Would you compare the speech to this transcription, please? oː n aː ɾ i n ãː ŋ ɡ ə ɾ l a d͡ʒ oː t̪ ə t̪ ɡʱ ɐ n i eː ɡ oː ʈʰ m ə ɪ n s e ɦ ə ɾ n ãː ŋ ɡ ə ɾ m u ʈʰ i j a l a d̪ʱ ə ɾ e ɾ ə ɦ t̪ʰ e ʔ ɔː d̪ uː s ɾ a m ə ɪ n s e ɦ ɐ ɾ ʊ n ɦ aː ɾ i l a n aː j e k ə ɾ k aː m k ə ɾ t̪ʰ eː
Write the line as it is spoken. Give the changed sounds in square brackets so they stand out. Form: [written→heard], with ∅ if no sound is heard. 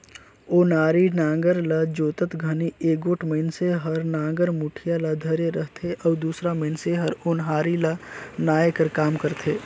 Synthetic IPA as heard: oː n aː ɾ i n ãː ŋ ɡ ə ɾ l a d͡ʒ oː t̪ ə t̪ ɡʱ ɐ n i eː ɡ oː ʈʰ m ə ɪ n s e ɦ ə ɾ n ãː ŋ ɡ ə ɾ m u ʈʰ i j a l a d̪ʱ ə ɾ e ɾ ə ɦ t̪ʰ e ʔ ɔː d̪ uː s ɾ a m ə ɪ n s e ɦ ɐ ɾ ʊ n ɦ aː ɾ i l a n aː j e k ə ɾ k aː m k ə ɾ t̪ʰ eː